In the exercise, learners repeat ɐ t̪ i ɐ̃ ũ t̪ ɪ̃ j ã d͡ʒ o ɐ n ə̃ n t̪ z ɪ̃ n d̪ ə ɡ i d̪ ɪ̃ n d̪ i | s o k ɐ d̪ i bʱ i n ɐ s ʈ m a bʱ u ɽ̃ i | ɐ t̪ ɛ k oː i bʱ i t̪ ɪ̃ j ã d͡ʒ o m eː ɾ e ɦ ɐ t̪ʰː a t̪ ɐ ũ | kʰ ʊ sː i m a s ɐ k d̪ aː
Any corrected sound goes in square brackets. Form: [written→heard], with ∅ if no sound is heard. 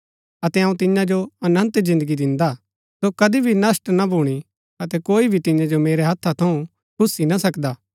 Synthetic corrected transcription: ɐ t̪ [i→ɛ] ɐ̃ ũ t̪ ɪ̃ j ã d͡ʒ o ɐ n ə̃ n t̪ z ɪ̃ n d̪ ə ɡ i d̪ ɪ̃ n d̪ [i→a] | s o k ɐ d̪ i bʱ i n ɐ s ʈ [m→n] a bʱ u ɽ̃ i | ɐ t̪ ɛ k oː i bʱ i t̪ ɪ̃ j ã d͡ʒ o m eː ɾ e ɦ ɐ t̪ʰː a [t̪→t̪ʰ] ɐ ũ | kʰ ʊ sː i [m→n] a s ɐ k d̪ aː